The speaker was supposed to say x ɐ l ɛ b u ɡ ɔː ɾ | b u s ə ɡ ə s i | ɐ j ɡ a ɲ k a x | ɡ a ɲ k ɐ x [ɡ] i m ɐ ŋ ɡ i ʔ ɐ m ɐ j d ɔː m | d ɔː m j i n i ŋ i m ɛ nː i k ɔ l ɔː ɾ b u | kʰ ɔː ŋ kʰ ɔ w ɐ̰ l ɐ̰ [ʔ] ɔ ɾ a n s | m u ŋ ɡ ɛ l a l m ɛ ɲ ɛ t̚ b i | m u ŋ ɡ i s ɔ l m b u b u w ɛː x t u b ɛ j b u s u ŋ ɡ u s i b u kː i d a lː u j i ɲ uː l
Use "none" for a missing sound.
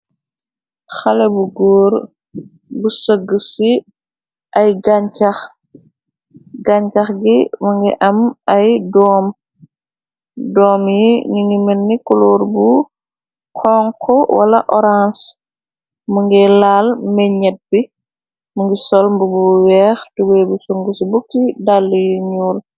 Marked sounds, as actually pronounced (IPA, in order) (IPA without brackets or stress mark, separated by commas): ɡ, ʔ